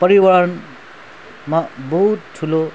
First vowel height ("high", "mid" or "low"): mid